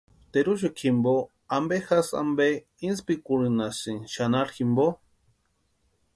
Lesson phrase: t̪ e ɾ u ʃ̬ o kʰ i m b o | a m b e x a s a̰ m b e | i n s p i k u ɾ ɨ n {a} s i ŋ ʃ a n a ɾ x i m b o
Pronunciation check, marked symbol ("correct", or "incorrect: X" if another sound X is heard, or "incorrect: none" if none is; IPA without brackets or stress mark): correct